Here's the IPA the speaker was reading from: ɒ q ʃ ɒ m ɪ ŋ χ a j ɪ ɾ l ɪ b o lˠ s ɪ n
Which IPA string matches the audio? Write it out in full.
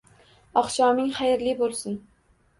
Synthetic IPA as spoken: ɒ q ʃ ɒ m ɪ ŋ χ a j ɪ ɾ l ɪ b o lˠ s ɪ n